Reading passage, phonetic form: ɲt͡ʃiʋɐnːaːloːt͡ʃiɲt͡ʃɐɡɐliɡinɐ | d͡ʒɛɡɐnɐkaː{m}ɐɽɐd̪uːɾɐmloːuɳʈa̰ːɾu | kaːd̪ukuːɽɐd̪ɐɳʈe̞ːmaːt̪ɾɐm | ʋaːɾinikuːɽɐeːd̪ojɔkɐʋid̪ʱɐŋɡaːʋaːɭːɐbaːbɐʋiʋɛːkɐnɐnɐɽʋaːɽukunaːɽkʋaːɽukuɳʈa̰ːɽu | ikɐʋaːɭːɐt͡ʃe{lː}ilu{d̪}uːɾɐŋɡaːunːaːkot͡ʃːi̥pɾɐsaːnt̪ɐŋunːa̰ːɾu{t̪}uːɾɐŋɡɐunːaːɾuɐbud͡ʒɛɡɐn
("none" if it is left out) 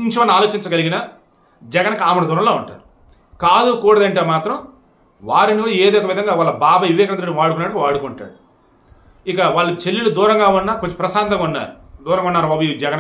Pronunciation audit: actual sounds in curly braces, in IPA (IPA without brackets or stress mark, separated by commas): m, lː, d̪, d̪